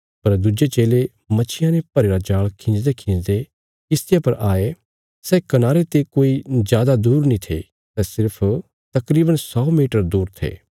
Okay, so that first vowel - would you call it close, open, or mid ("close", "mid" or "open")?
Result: open